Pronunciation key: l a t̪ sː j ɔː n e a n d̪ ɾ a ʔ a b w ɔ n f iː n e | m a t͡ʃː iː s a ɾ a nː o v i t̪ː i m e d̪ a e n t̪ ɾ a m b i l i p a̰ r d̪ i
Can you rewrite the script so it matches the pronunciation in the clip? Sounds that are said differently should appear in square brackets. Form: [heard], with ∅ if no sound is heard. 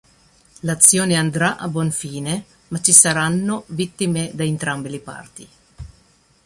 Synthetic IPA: l a t̪ sː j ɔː n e a n d̪ ɾ a ʔ a b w ɔ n f iː n e | m a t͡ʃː [i] s a ɾ a nː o v i t̪ː i m e d̪ a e n t̪ ɾ a m b i l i p a̰ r [t̪] i